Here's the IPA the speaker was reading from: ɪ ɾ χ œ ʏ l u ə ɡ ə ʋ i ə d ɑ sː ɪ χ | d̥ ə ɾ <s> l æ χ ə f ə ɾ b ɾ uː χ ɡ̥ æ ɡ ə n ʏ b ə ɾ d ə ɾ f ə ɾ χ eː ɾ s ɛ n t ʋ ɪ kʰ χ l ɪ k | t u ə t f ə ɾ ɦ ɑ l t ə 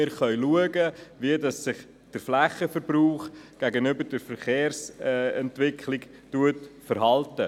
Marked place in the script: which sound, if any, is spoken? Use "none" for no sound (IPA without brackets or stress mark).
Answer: f